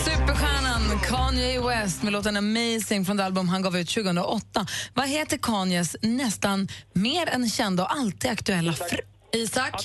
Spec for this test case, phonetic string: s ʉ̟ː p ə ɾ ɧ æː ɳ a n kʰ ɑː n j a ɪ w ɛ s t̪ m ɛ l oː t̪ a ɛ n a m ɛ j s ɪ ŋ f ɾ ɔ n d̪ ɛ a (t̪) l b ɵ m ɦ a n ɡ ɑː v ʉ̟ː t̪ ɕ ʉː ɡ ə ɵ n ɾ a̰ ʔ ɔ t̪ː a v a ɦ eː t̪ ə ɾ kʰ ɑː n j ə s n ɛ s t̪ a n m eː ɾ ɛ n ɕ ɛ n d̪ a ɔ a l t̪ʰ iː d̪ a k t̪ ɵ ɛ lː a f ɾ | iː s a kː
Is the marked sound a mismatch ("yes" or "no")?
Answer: yes